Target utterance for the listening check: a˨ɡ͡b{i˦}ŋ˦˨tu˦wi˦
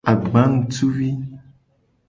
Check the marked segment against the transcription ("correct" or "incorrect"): incorrect